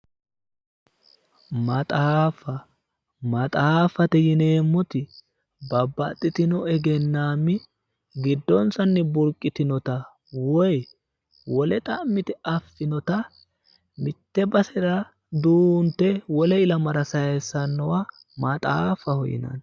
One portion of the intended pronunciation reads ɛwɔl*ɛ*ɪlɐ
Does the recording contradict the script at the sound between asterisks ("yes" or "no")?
no